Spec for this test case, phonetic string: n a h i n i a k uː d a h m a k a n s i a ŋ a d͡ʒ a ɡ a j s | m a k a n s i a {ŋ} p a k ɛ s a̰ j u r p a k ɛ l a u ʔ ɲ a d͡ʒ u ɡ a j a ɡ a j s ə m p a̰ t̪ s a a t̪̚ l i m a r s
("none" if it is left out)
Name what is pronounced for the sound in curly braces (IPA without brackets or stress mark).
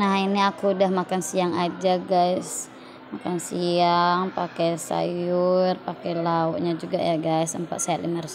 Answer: ŋ